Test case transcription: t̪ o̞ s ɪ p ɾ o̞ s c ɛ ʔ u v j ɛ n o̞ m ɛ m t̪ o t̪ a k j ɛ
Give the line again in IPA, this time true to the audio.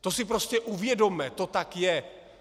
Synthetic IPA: t̪ o̞ s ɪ p ɾ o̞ s c ɛ ʔ u v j ɛ d o̞ m ɛ t̪ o t̪ a k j ɛ